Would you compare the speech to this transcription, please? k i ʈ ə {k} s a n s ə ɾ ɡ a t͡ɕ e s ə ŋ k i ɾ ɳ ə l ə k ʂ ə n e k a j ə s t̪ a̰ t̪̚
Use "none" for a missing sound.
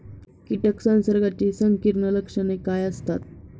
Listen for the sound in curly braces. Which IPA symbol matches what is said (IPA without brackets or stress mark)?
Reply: k